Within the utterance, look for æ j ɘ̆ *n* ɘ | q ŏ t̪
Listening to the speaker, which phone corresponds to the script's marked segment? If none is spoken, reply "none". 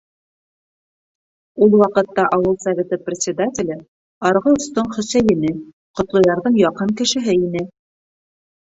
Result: n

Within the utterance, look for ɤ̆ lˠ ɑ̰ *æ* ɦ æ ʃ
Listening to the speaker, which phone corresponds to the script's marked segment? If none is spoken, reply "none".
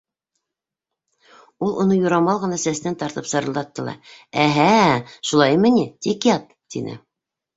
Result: æ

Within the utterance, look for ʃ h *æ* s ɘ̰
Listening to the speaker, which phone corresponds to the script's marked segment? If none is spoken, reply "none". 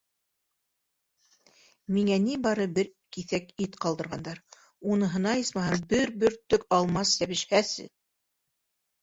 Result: æ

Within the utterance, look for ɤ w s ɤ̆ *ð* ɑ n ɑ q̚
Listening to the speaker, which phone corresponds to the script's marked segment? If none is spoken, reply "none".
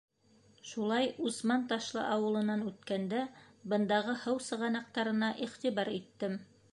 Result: ʁ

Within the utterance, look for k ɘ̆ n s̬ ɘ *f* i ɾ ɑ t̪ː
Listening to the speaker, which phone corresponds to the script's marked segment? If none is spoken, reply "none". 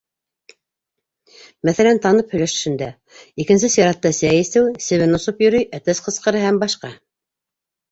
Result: s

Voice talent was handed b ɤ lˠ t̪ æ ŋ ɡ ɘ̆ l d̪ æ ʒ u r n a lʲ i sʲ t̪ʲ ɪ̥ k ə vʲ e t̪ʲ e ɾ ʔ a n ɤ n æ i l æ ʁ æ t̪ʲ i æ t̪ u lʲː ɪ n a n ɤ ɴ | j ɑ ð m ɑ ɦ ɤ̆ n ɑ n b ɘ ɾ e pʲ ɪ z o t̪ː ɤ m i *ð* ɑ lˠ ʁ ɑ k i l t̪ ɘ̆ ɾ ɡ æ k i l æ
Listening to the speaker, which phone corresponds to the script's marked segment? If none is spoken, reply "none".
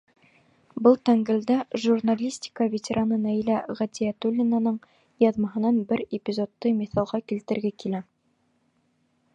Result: θ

